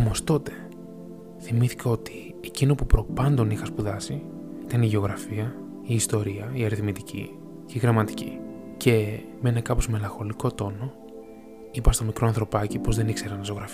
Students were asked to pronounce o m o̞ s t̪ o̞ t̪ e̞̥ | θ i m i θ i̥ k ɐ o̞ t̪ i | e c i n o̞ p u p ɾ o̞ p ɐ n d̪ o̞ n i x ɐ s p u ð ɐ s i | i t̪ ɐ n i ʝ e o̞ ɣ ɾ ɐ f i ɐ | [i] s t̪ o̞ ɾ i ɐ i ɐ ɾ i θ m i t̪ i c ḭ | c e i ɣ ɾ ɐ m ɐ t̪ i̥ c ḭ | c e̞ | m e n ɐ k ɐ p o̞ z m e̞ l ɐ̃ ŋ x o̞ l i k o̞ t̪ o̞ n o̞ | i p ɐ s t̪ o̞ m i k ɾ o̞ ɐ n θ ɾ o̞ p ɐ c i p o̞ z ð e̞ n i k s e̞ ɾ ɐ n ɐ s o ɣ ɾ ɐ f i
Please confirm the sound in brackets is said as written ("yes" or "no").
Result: no